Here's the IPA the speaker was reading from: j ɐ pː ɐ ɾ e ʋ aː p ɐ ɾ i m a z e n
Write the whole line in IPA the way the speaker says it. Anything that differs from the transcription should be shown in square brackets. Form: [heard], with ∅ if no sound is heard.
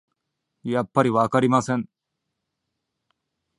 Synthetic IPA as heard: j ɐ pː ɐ ɾ [i] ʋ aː [k] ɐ ɾ i m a [s] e n